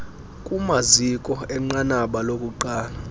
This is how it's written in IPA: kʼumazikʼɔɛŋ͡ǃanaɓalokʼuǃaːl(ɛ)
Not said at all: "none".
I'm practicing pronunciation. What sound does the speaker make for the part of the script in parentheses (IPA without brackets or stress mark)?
a